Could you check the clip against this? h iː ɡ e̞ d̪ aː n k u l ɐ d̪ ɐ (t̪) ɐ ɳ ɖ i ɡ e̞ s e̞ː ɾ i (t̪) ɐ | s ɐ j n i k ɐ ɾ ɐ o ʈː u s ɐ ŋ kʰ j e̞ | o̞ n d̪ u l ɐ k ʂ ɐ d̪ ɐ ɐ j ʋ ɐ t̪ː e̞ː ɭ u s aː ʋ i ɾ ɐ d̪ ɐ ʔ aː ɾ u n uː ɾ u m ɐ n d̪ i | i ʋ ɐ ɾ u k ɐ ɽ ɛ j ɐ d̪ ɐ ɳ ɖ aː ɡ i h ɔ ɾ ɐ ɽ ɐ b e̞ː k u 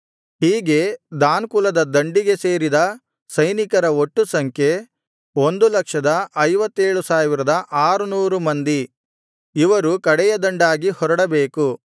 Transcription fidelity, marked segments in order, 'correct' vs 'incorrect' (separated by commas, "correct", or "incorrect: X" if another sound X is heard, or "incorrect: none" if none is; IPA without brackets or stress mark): incorrect: d̪, incorrect: d̪